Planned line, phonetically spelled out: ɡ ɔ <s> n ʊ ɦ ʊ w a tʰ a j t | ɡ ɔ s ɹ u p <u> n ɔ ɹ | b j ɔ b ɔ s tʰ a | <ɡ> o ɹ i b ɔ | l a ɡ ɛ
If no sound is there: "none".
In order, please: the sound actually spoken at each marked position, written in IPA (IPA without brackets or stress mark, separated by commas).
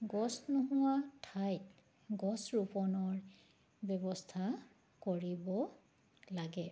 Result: s, ɔ, k